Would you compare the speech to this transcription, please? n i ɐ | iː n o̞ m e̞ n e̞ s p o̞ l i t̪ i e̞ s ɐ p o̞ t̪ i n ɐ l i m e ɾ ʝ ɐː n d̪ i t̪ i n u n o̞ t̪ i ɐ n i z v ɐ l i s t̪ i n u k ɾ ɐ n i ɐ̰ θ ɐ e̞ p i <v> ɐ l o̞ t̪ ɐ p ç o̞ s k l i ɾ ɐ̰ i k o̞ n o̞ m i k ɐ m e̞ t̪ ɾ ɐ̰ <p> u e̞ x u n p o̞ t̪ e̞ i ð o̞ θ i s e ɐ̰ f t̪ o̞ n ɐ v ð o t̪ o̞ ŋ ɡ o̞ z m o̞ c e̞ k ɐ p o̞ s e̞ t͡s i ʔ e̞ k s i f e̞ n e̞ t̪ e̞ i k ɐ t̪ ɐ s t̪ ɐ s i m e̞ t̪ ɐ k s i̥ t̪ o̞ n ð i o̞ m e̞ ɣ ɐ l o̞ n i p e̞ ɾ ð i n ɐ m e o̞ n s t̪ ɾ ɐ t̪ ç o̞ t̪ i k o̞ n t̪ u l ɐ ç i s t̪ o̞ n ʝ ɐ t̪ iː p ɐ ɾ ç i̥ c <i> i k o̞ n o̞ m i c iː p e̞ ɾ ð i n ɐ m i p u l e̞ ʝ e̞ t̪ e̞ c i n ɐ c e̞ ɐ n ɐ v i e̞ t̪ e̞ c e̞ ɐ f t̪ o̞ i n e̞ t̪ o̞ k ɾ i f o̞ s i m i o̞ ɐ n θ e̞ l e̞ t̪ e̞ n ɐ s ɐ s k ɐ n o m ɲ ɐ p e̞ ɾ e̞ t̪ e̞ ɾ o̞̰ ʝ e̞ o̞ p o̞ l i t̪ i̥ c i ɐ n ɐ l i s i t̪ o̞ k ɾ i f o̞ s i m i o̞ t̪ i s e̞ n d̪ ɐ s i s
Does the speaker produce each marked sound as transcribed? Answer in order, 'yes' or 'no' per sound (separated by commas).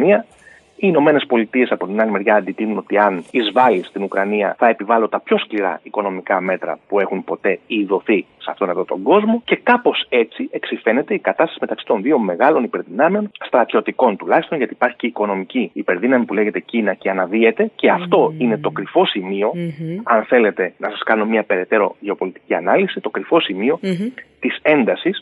yes, yes, no